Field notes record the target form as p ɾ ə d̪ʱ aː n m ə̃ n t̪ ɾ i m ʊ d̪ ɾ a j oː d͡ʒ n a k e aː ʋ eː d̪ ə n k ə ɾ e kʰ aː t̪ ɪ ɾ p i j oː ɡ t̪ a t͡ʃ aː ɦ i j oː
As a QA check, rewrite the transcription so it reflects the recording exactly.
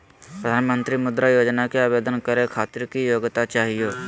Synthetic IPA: p ɾ ə d̪ʱ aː n m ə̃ n t̪ ɾ i m ʊ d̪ ɾ a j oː d͡ʒ n a k e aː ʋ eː d̪ ə n k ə ɾ e kʰ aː t̪ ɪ ɾ k i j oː ɡ t̪ a t͡ʃ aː ɦ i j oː